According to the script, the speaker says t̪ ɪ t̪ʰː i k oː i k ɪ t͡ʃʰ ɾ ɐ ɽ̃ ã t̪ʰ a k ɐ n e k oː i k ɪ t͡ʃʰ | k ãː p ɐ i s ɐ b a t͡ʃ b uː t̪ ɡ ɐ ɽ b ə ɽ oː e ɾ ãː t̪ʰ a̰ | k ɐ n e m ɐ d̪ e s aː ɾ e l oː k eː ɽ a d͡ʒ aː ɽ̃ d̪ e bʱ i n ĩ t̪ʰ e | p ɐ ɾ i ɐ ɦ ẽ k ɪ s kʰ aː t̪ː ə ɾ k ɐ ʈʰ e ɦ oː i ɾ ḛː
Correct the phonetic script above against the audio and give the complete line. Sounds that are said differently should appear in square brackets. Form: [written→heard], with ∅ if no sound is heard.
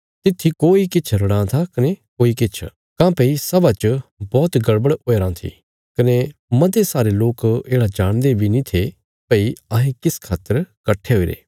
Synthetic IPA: t̪ ɪ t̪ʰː i k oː i k ɪ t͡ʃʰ ɾ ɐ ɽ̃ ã t̪ʰ a k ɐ n e k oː i k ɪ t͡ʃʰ | k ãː p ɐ i s ɐ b a t͡ʃ b [uː→ɔː] t̪ ɡ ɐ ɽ b ə ɽ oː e ɾ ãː t̪ʰ [a̰→ḭ] | k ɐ n e m ɐ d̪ e s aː ɾ e l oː k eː ɽ a d͡ʒ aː ɽ̃ d̪ e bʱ i n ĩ t̪ʰ e | p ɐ [ɾ→∅] i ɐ ɦ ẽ k ɪ s kʰ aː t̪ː ə ɾ k ɐ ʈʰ e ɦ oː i ɾ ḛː